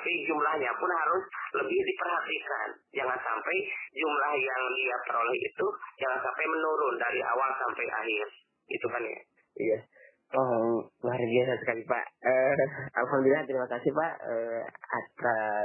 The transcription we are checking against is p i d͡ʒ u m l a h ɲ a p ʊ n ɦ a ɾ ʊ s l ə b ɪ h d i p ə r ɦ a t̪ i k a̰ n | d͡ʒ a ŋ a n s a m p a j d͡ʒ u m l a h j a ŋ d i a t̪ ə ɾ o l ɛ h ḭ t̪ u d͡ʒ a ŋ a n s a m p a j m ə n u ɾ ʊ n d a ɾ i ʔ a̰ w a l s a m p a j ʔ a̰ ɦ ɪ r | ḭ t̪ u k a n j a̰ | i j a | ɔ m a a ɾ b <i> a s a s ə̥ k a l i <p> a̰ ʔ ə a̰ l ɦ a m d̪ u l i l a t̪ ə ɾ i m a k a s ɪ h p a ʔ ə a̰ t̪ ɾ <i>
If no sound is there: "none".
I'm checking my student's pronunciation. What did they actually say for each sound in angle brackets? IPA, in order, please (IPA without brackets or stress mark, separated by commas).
i, p, a